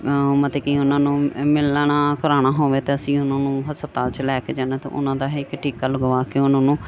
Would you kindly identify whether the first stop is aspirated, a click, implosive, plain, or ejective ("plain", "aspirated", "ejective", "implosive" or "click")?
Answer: plain